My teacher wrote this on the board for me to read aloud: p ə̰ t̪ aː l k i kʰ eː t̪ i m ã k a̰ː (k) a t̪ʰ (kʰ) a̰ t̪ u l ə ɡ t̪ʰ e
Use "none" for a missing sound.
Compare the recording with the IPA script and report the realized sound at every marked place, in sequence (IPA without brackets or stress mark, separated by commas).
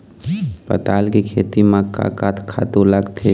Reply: k, kʰ